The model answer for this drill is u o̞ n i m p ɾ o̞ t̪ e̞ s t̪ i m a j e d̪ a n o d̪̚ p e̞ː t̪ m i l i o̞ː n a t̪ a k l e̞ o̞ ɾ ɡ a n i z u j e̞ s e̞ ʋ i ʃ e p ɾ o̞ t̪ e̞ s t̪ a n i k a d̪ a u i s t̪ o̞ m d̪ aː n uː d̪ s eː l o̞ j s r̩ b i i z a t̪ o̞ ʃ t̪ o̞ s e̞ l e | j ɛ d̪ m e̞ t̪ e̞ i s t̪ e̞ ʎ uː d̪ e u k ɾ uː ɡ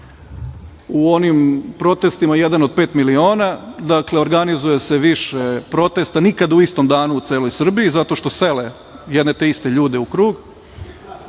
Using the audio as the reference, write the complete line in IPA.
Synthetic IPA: u o̞ n i m p ɾ o̞ t̪ e̞ s t̪ i m a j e d̪ a n o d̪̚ p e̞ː t̪ m i l i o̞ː n a d̪ a k l e̞ o̞ ɾ ɡ a n i z u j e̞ s e̞ ʋ i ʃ e p ɾ o̞ t̪ e̞ s t̪ a n i k a d̪ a u i s t̪ o̞ m d̪ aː n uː t̪ s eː l o̞ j s r̩ b i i z a t̪ o̞ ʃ t̪ o̞ s e̞ l e | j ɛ d̪ n e̞ t̪ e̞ i s t̪ e̞ ʎ uː d̪ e u k ɾ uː ɡ